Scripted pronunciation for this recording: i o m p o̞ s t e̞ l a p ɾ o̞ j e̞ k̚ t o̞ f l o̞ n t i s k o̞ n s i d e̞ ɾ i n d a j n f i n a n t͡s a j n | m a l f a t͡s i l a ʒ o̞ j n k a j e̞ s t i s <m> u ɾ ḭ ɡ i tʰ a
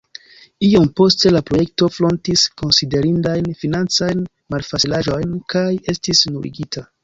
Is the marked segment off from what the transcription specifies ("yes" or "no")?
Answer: yes